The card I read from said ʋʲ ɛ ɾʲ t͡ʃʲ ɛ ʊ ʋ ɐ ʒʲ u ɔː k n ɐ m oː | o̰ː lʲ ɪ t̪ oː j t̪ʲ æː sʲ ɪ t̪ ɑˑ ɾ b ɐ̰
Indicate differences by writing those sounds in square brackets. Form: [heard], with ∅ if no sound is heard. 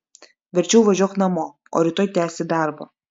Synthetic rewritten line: ʋʲ ɛ ɾʲ t͡ʃʲ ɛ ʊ ʋ ɐ ʒʲ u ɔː k n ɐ m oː | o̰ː [ɾʲ] ɪ t̪ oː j t̪ʲ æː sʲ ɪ [d̪] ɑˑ ɾ b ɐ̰